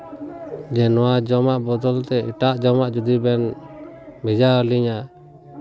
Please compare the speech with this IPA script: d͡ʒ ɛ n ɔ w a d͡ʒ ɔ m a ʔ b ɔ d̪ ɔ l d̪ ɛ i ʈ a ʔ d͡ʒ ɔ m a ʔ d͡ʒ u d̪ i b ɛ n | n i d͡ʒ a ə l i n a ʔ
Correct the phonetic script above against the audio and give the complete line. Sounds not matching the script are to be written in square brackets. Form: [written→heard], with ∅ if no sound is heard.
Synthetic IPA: d͡ʒ ɛ n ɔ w a d͡ʒ ɔ m a ʔ b ɔ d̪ ɔ l [d̪→t̪] ɛ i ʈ a ʔ d͡ʒ ɔ m a ʔ d͡ʒ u d̪ i b ɛ n | [n→m] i d͡ʒ a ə l i [n→ɲ] a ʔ